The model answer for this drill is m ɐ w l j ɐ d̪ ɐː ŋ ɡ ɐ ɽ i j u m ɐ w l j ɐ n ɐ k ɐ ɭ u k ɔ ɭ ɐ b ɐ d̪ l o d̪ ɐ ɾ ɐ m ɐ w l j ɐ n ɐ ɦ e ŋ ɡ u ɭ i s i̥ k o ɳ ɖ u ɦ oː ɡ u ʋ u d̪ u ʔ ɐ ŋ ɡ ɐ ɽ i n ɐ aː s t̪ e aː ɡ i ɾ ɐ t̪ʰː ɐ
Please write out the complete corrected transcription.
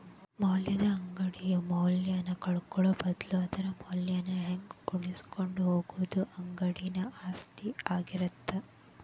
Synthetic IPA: m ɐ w l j ɐ d̪ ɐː ŋ ɡ ɐ ɽ i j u m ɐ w l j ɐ n ɐ k ɐ ɭ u k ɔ ɭ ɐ b ɐ d̪ l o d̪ ɐ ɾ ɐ m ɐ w l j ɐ n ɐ ɦ e ŋ ɡ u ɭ i s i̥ k o ɳ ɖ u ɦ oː ɡ u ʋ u d̪ u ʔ ɐ ŋ ɡ ɐ ɽ i n ɐ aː s t̪ i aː ɡ i ɾ ɐ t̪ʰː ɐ